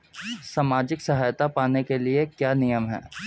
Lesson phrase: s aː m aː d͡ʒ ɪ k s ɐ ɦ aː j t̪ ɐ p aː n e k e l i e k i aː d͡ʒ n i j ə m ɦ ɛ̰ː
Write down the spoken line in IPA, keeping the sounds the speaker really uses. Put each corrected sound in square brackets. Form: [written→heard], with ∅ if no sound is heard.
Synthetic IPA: s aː m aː d͡ʒ ɪ k s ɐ ɦ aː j t̪ [ɐ→a] p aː n e k e l i e k [i→j] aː [d͡ʒ→∅] n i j ə m ɦ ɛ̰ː